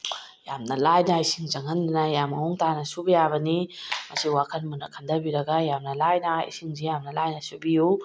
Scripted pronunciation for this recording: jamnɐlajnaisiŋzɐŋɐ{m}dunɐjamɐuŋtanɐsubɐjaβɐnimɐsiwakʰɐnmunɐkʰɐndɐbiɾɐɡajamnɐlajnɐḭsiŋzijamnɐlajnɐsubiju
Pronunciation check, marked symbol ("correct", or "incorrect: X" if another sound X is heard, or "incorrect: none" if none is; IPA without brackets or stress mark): incorrect: n